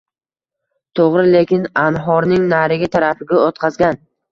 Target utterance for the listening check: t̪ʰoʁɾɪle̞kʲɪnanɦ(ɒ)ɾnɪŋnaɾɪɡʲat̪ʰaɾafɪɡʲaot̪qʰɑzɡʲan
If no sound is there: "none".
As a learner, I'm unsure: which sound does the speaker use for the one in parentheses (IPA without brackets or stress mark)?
ɒ